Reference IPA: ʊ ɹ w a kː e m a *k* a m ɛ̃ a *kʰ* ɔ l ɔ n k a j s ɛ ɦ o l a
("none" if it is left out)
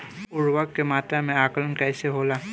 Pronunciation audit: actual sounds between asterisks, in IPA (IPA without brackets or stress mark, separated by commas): t, k